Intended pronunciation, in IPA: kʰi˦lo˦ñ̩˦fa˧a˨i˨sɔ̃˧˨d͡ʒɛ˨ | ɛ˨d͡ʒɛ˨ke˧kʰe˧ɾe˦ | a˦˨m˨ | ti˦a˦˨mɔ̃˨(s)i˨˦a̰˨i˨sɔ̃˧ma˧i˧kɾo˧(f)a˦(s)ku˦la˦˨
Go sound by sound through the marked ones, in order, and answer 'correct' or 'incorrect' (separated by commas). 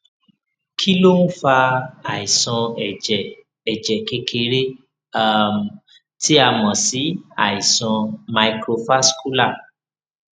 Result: correct, correct, correct